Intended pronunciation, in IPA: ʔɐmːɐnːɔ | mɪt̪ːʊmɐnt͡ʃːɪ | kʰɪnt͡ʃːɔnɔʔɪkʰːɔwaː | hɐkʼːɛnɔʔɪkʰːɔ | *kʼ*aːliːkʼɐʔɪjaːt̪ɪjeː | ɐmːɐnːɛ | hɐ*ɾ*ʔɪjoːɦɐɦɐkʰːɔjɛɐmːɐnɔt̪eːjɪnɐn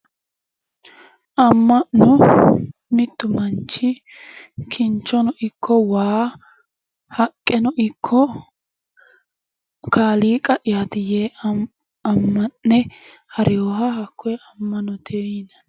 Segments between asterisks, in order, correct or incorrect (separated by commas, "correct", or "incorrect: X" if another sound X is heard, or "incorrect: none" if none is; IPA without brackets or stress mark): incorrect: k, correct